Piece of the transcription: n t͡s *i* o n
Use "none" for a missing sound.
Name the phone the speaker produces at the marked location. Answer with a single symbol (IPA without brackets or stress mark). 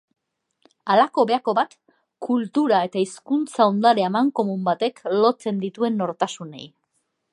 a